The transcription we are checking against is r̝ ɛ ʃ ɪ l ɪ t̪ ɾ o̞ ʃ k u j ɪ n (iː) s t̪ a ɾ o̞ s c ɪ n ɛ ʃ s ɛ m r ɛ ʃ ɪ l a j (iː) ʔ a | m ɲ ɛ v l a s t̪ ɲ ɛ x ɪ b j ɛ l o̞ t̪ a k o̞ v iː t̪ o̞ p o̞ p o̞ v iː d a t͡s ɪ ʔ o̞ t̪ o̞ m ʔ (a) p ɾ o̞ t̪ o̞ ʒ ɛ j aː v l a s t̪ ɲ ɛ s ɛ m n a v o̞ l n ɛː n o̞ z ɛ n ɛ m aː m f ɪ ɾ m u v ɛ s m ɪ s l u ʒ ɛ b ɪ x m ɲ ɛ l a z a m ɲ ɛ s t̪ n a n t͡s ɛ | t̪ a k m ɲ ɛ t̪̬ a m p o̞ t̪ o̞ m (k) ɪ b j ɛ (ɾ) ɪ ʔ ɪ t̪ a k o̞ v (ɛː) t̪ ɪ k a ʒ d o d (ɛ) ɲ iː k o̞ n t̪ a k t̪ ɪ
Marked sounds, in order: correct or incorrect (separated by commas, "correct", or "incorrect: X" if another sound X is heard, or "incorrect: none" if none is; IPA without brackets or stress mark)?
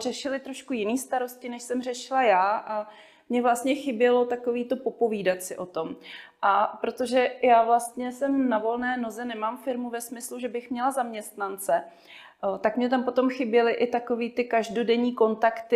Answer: correct, incorrect: aː, correct, incorrect: x, incorrect: l, incorrect: iː, correct